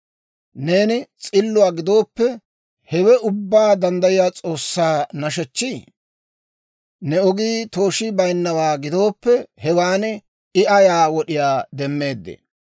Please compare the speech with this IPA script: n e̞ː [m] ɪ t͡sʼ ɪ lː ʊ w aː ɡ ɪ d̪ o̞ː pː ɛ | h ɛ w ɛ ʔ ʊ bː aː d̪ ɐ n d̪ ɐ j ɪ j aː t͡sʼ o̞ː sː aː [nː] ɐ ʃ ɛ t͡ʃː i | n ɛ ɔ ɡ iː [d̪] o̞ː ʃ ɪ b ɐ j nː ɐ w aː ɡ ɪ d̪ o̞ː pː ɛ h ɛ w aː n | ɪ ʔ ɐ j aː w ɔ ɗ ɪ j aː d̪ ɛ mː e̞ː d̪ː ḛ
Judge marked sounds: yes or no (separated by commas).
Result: no, no, no